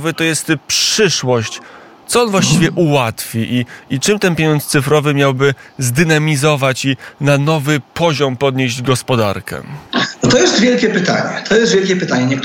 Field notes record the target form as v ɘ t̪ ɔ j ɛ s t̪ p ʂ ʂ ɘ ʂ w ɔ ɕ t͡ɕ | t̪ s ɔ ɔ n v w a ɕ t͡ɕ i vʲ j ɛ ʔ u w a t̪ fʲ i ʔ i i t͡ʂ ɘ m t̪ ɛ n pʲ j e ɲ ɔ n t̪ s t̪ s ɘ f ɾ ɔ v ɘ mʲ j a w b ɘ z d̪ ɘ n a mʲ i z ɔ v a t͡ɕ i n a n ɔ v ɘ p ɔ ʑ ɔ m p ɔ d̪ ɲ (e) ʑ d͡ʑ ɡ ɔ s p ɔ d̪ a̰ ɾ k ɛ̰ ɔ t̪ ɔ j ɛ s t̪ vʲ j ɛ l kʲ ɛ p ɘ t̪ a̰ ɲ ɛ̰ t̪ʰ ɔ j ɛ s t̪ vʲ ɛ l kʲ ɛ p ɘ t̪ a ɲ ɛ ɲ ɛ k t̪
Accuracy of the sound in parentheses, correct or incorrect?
correct